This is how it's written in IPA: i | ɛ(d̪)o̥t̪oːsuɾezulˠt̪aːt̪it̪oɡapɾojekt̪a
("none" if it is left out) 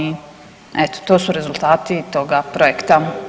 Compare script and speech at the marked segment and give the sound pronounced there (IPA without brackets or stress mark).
t̪